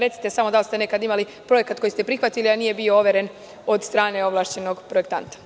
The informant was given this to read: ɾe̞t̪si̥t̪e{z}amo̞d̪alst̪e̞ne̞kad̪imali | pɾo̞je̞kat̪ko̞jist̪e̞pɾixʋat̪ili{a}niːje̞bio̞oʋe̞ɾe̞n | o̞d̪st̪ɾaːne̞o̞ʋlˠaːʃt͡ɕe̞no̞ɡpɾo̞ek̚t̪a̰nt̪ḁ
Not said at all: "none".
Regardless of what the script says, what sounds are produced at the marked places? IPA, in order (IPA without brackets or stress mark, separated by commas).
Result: s, a